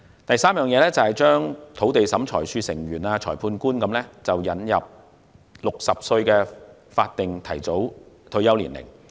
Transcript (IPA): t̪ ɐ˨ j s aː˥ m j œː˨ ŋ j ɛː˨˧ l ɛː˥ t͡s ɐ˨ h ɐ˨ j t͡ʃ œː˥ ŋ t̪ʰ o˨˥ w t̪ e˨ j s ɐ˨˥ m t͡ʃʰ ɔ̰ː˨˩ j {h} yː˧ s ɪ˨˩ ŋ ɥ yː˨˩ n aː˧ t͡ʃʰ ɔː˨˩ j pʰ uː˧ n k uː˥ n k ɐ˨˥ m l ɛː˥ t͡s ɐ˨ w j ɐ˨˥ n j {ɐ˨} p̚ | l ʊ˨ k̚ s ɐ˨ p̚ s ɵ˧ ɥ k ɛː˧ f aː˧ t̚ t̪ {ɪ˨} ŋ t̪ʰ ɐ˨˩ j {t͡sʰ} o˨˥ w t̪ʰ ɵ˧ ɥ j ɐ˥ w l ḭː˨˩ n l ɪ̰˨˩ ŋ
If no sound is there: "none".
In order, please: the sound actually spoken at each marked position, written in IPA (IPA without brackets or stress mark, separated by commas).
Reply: s, ɐ˨, ɪ˨, t͡s